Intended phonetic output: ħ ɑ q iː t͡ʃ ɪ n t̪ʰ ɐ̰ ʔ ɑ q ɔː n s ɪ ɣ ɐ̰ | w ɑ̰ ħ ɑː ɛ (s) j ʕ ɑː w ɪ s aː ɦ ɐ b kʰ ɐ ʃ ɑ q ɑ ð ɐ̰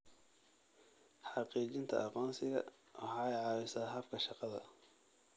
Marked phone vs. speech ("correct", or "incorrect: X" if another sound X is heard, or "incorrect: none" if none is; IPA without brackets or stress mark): incorrect: none